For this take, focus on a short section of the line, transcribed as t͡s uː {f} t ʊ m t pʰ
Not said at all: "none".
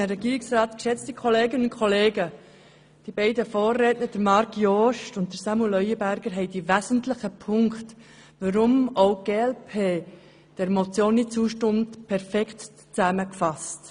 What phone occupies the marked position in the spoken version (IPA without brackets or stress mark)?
ʃ